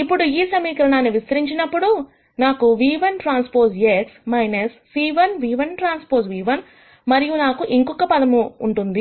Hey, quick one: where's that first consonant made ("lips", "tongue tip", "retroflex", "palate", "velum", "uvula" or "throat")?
lips